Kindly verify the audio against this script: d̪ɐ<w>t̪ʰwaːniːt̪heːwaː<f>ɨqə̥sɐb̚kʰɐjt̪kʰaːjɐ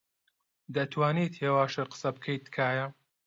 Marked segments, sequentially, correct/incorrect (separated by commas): incorrect, incorrect